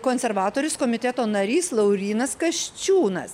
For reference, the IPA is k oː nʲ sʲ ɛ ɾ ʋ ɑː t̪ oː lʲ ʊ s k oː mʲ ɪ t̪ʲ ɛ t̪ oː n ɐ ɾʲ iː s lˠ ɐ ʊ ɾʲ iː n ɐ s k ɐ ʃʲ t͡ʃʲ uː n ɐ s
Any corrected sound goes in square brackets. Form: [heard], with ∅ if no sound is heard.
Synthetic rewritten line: k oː nʲ sʲ ɛ ɾ ʋ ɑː t̪ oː [ɾʲ] ʊ s k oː mʲ ɪ t̪ʲ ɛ t̪ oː n ɐ ɾʲ iː s lˠ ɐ ʊ ɾʲ iː n ɐ s k ɐ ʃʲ t͡ʃʲ uː n ɐ s